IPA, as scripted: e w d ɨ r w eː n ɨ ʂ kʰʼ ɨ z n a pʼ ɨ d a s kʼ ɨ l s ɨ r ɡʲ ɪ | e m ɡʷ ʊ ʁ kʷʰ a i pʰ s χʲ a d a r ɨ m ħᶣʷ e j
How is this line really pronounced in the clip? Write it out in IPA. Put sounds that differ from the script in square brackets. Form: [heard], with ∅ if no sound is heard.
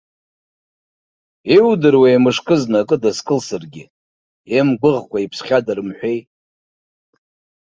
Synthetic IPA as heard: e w d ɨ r w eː [m] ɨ ʂ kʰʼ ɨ z n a [kʼ] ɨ d a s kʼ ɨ l s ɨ r ɡʲ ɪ | e m ɡʷ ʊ ʁ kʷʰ a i pʰ s χʲ a d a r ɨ m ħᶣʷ e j